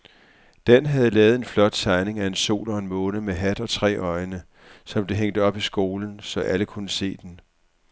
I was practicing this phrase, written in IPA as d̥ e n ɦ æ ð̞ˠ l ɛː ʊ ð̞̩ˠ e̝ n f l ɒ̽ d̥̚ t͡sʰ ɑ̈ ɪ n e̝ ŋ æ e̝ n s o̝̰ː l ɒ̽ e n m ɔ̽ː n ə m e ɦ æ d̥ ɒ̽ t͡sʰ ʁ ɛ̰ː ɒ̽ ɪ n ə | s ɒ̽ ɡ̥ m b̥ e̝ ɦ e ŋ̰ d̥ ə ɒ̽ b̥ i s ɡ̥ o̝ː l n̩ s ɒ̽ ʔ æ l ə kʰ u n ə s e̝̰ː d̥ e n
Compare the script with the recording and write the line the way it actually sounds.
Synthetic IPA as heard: d̥ e n ɦ æ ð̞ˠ l ɛː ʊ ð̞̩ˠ e̝ n f l ɒ̽ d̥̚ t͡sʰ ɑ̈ ɪ n e̝ ŋ æ e̝ n s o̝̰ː l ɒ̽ e n m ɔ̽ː n ə m e ɦ æ d̥ ɒ̽ t͡sʰ ʁ ɛ̰ː ɒ̽ ɪ n ə | s ɒ̽ m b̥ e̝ ɦ e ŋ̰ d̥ ə ɒ̽ b̥ i s ɡ̥ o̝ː l n̩ s ɒ̽ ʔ æ l ə kʰ u n ə s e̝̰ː d̥ e n

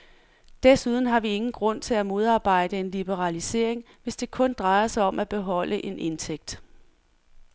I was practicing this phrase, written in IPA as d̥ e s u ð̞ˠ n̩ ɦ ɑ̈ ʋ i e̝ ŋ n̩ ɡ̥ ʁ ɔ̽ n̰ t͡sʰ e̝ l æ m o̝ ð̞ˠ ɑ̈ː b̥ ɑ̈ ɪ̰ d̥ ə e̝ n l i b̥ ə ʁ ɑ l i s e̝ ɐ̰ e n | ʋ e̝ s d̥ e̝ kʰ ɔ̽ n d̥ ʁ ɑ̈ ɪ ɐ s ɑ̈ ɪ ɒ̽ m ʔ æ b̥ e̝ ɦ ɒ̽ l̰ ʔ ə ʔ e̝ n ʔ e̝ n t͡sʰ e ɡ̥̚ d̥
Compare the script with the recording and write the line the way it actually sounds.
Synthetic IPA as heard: d̥ e s u ð̞ˠ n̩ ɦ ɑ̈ ʋ i e̝ ŋ n̩ ɡ̥ ʁ ɔ̽ n̰ t͡sʰ e̝ l æ m o̝ ð̞ˠ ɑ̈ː b̥ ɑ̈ ɪ̰ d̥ ə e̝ n l i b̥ ə ʁ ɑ l i s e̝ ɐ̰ e ŋ | ʋ e̝ s d̥ e̝ kʰ ɔ̽ n d̥ ʁ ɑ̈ ɪ ɐ s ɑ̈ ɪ ɒ̽ m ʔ æ b̥ e̝ ɦ ɒ̽ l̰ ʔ ə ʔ e̝ n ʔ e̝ n t͡sʰ e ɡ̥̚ d̥

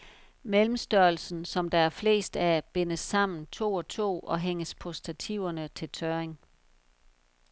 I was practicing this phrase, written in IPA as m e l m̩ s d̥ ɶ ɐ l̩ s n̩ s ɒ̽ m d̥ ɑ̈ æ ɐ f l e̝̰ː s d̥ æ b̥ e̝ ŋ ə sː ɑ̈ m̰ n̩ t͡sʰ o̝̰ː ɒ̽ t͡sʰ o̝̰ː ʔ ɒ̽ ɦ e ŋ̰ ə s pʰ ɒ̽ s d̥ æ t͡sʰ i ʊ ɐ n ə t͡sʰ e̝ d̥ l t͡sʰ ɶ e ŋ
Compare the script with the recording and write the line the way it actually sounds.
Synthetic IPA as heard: m e l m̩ s d̥ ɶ ɐ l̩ s n̩ s ɒ̽ m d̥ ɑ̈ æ ɐ f l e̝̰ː s d̥ æ b̥ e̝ n ə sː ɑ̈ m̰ n̩ t͡sʰ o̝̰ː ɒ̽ t͡sʰ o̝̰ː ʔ ɒ̽ ɦ e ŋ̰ ə s pʰ ɒ̽ s d̥ æ t͡sʰ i ʊ ɐ n ə t͡sʰ e̝ l t͡sʰ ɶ e ŋ

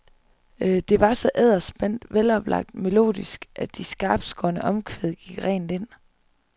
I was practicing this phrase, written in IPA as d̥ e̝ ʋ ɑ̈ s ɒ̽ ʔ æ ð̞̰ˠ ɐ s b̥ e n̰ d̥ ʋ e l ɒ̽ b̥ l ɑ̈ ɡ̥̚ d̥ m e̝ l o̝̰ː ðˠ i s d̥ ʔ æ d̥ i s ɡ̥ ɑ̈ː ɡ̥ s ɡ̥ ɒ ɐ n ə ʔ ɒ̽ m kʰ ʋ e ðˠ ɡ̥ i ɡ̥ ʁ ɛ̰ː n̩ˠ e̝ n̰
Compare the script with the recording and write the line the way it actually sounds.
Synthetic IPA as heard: d̥ e̝ ʋ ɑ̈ s ɒ̽ ʔ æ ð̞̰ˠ ɐ s b̥ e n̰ d̥ ʋ e l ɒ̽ b̥ l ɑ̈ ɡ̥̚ d̥ m e̝ l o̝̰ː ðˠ i s ɡ̥ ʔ æ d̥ i s ɡ̥ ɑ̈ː b̥ s ɡ̥ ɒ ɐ n ə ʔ ɒ̽ m kʰ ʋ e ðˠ ɡ̥ i ɡ̥ ʁ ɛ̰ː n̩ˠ e̝ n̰

